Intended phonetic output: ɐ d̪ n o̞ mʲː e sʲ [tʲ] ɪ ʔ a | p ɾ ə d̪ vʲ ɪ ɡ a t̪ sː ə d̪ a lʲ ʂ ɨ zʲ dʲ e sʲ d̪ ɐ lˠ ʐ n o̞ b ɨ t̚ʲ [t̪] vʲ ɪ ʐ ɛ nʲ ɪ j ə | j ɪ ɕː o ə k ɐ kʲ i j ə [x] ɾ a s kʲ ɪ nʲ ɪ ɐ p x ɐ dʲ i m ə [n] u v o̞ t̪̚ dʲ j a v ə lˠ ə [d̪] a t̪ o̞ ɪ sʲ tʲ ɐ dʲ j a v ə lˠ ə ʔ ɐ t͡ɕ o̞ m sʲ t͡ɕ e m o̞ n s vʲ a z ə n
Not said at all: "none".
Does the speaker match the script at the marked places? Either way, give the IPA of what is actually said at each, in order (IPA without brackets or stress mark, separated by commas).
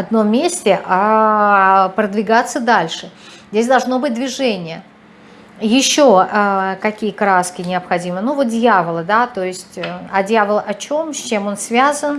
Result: tʲ, d̪, k, n, d̪